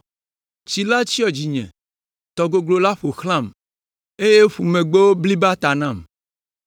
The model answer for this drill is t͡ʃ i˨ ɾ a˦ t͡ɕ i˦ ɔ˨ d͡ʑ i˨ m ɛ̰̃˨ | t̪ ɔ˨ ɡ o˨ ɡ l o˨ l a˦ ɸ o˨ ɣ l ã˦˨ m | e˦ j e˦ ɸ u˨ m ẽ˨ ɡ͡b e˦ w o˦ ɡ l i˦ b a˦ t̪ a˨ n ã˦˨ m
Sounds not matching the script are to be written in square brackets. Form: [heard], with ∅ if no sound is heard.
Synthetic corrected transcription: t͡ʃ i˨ [l] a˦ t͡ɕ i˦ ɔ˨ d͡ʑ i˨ [ɲ] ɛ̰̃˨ | t̪ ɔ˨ ɡ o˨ ɡ l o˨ l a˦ ɸ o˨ [x] l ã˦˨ m | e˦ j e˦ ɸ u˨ m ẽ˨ ɡ͡b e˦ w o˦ [b] l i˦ b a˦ t̪ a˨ n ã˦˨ m